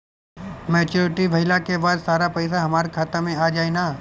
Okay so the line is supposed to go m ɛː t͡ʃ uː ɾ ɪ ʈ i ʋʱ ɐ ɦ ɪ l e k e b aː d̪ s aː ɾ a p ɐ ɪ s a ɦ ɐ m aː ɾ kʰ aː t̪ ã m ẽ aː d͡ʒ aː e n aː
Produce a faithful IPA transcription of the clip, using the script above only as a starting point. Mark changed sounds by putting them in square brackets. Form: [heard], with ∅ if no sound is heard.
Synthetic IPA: m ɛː t͡ʃ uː ɾ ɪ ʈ i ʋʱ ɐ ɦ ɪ l [a] k e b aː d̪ s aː ɾ a p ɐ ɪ s a ɦ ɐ m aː ɾ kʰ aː t̪ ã m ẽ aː d͡ʒ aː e n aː

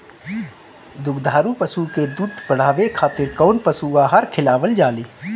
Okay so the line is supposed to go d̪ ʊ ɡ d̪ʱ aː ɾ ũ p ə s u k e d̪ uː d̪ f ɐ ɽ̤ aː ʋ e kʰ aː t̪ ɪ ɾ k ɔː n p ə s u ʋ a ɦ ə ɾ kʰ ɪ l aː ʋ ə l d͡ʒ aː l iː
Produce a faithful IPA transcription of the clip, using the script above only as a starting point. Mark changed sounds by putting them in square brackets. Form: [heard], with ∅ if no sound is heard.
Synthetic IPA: d̪ ʊ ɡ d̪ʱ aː ɾ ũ p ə s u k e d̪ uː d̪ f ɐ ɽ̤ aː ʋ e kʰ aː t̪ ɪ ɾ k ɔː n p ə s u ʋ a ɦ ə ɾ kʰ ɪ l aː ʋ ə l d͡ʒ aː l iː

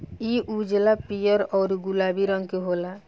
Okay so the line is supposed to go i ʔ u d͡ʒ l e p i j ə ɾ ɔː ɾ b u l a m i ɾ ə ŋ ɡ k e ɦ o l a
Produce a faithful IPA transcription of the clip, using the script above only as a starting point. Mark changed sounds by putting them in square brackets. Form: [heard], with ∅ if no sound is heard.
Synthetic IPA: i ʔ u d͡ʒ l [a] p i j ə ɾ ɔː ɾ [ɡ] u l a [b] i ɾ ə ŋ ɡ k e ɦ o l a

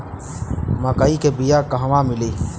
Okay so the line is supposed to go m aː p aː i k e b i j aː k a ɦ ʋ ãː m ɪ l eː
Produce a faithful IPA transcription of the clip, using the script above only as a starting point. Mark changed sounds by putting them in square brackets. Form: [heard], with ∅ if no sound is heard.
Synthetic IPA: m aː [k] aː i k e b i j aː k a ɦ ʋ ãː m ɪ l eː

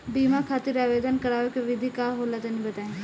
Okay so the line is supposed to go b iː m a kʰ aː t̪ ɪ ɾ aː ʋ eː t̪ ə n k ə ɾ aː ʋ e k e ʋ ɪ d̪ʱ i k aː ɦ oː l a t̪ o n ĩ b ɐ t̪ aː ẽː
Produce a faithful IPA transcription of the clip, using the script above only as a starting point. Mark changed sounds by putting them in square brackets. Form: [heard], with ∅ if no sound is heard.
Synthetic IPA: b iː m a kʰ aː t̪ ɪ ɾ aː ʋ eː [d̪] ə n k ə ɾ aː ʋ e k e ʋ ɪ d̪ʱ i k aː ɦ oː l a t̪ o n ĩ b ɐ t̪ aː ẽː

